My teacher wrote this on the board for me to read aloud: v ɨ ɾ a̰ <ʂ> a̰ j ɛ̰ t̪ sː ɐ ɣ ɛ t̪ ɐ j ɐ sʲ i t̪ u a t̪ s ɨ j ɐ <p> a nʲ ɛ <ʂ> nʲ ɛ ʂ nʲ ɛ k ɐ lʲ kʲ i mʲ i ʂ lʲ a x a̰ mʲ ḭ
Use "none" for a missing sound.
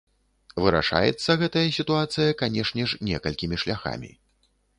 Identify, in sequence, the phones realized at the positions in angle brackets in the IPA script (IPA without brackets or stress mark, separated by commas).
ʂ, k, ʂ